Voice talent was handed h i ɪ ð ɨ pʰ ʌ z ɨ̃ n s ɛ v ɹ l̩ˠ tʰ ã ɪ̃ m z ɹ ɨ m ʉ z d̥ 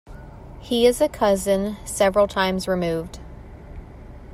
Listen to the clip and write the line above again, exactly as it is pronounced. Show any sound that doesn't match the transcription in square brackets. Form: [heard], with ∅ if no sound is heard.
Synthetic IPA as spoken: h i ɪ [z] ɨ [kʰ] ʌ z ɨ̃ n s ɛ v ɹ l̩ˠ tʰ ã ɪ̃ m z ɹ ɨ m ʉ [v] d̥